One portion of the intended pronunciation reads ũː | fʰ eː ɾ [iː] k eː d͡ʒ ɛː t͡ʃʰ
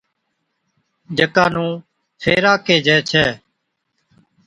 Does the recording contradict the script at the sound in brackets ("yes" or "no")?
yes